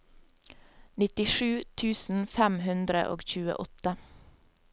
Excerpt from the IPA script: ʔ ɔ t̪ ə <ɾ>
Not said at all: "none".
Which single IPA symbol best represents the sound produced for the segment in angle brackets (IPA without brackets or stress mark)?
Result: none